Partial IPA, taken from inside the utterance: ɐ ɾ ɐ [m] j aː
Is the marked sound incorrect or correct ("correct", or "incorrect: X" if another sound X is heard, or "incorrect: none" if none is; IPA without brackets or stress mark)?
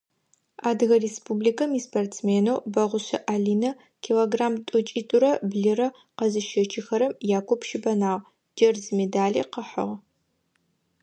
correct